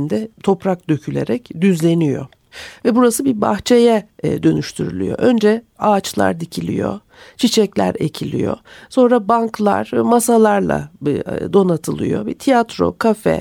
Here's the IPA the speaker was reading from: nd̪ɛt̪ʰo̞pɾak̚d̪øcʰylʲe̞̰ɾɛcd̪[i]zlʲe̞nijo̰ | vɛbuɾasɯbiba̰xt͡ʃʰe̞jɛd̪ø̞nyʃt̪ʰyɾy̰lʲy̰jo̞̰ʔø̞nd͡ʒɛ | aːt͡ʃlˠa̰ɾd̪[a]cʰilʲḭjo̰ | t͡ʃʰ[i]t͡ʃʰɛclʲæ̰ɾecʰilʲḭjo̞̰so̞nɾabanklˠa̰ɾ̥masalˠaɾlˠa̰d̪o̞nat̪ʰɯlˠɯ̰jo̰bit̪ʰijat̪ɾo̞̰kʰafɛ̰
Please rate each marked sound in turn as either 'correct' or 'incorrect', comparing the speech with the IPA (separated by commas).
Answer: incorrect, incorrect, correct